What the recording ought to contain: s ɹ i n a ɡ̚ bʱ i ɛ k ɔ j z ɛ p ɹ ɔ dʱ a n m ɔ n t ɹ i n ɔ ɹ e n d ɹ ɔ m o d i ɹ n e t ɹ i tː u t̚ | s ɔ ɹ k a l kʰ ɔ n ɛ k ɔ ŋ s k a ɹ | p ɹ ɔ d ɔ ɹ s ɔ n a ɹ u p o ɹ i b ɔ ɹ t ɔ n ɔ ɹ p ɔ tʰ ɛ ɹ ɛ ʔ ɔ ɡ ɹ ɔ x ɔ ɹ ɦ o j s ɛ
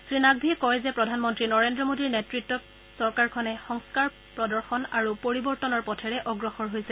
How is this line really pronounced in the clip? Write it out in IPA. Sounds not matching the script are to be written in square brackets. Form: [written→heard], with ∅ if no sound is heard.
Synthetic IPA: s ɹ i n a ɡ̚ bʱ i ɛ k ɔ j z ɛ p ɹ ɔ dʱ a n m ɔ n t ɹ i n ɔ ɹ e n d ɹ ɔ m o d i ɹ n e t ɹ i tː [u→ɔ] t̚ | s ɔ ɹ k a [l→ɹ] kʰ ɔ n ɛ [k→x] ɔ ŋ s k a ɹ | p ɹ ɔ d ɔ ɹ [s→x] ɔ n a ɹ u p o ɹ i b ɔ ɹ t ɔ n ɔ ɹ p ɔ tʰ ɛ ɹ ɛ ʔ ɔ ɡ ɹ ɔ x ɔ ɹ ɦ o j s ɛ